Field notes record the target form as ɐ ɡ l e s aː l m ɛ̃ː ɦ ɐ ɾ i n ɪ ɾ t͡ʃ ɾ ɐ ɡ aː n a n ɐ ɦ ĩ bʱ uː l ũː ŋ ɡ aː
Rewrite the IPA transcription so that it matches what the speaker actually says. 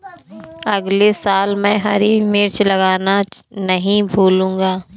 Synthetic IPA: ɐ ɡ l e s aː l m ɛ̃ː ɦ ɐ ɾ i m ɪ ɾ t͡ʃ l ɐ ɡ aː n a n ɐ ɦ ĩ bʱ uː l ũː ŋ ɡ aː